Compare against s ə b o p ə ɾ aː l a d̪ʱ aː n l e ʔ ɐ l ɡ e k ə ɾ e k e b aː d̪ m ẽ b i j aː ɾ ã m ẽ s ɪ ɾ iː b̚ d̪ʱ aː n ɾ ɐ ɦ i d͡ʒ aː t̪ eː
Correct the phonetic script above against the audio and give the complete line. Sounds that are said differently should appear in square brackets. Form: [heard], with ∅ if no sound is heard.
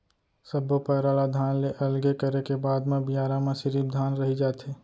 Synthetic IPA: s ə b o p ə ɾ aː l a d̪ʱ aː n l e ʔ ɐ l ɡ e k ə ɾ e k e b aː d̪ m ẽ b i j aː ɾ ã m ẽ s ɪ ɾ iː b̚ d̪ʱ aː n ɾ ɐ ɦ i d͡ʒ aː t̪ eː